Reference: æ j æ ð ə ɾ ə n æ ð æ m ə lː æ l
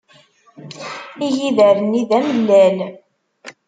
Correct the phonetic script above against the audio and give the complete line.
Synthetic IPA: i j i ð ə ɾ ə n i ð æ m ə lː æ l

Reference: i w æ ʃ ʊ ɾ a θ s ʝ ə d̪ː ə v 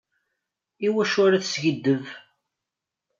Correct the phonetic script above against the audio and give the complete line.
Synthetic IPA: i w æ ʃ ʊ ɾ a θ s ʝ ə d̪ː ə v

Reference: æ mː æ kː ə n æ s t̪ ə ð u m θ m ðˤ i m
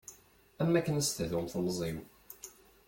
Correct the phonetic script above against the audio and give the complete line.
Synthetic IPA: æ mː æ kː ə n æ s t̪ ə ð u m θ m zˤ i m

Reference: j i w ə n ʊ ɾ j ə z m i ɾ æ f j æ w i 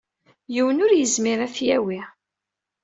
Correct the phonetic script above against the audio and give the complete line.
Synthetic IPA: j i w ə n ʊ ɾ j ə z m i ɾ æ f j æ w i

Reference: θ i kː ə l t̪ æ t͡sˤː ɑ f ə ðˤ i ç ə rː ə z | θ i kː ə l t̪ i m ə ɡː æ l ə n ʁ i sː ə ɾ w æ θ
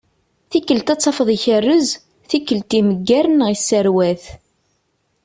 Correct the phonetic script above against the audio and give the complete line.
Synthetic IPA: θ i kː ə l t̪ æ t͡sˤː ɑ f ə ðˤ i ç ə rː ə z | θ i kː ə l t̪ i m ə ɡː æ ɾ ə n ʁ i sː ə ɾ w æ θ

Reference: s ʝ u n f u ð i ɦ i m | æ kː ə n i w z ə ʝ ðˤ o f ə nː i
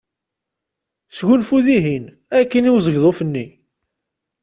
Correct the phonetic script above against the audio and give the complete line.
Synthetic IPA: s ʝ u n f u ð i ɦ i n | æ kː ə n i w z ə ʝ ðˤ o f ə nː i

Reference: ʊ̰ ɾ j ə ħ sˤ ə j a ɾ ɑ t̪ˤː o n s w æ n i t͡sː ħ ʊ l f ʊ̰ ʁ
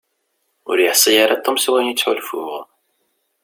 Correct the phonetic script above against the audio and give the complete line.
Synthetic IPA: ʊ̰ ɾ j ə ħ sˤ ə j a ɾ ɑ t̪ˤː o m s w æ n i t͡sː ħ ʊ l f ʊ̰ ʁ

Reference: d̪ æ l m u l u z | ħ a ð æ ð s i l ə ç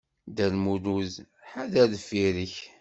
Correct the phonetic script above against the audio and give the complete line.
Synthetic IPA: d̪ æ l m u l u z | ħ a ð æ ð f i ɾ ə ç

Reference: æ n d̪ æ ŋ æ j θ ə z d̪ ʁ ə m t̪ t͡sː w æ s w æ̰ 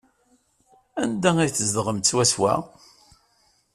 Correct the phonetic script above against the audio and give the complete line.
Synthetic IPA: æ n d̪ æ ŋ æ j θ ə z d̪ ʁ ə m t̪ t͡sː w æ s w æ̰

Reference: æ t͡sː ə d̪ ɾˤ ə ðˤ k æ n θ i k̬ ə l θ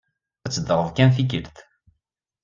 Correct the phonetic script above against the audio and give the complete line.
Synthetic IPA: æ t͡sː ə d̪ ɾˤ ə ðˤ k æ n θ i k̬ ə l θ

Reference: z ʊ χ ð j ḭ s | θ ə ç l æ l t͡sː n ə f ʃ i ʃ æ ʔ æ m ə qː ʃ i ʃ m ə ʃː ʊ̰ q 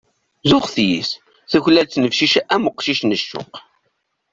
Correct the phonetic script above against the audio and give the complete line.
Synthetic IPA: z ʊ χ θ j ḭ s | θ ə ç l æ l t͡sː n ə f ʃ i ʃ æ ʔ æ m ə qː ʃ i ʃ n ə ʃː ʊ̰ q

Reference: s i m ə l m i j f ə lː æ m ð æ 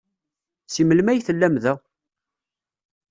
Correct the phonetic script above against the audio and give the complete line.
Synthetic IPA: s i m ə l m æ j θ ə lː æ m ð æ

